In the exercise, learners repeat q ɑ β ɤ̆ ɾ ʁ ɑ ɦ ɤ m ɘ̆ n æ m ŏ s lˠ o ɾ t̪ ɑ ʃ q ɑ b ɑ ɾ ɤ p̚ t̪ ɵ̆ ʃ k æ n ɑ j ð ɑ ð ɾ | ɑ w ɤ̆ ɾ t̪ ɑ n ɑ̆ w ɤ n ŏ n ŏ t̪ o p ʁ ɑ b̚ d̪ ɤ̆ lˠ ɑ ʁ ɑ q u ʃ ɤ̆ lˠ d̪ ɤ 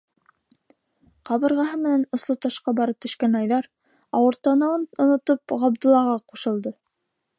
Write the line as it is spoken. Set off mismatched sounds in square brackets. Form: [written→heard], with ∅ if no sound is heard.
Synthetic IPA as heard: q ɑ β ɤ̆ ɾ ʁ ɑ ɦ ɤ m ɘ̆ n æ [m→n] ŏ s lˠ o [ɾ→∅] t̪ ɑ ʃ q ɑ b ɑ ɾ ɤ p̚ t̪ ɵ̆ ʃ k æ n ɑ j ð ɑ [ð→∅] ɾ | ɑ w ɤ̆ ɾ t̪ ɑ n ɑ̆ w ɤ n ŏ n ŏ t̪ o p ʁ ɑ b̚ d̪ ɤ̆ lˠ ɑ ʁ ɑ q u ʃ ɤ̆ lˠ d̪ ɤ